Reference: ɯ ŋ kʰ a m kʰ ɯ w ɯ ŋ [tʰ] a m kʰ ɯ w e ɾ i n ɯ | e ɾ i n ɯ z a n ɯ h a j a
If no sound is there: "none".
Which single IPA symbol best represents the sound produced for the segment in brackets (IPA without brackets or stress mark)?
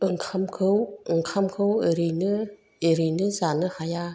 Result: kʰ